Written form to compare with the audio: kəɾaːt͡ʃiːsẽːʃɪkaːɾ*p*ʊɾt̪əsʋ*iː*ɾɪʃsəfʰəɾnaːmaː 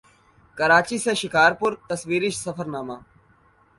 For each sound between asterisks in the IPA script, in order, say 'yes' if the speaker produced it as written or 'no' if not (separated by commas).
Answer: yes, yes